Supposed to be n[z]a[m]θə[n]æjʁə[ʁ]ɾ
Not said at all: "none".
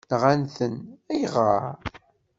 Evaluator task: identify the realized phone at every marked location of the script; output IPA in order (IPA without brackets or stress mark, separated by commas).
ʁ, n, n, none